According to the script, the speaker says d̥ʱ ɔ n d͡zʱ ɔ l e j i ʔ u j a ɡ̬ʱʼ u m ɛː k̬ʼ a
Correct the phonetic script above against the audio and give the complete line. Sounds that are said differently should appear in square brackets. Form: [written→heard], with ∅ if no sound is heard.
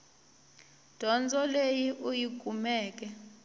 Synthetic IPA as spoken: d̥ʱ ɔ n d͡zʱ ɔ l e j i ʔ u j [a→i] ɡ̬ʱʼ u m ɛː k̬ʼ [a→ɛ]